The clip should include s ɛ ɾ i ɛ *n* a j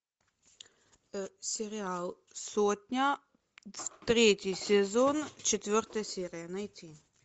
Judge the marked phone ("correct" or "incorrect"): correct